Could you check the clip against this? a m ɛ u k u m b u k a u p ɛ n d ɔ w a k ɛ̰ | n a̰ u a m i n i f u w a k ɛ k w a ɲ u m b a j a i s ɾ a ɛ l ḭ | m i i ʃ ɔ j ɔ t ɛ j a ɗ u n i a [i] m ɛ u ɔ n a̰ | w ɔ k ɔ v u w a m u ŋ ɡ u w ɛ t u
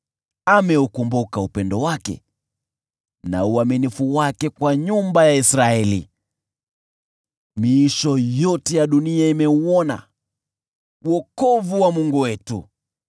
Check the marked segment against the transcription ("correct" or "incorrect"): correct